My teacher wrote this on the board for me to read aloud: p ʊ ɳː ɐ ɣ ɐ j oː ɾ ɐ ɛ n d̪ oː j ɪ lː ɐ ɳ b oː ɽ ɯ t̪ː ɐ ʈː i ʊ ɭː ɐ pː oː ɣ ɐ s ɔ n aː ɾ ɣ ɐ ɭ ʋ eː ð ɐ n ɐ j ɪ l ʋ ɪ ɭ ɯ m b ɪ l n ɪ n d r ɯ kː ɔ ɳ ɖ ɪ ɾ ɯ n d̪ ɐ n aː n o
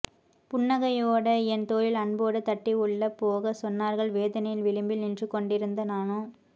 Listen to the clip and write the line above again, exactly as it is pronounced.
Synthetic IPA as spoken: p ʊ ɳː ɐ ɣ ɐ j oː ɽ ɐ ɛ n t̪ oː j ɪ l ɐ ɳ b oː ɽ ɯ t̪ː ɐ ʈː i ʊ ɭː ɐ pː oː ɣ ɐ s ɔ nː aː ɾ ɣ ɐ ɭ ʋ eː ð ɐ n ɐ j ɪ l ʋ ɪ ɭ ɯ m b ɪ l n ɪ n d r ɯ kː ɔ ɳ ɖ ɪ ɾ ɯ n d̪ ɐ n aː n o